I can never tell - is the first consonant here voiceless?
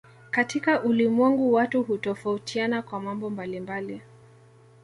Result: yes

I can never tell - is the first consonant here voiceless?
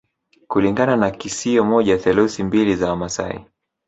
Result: yes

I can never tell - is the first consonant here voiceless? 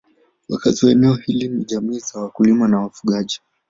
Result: no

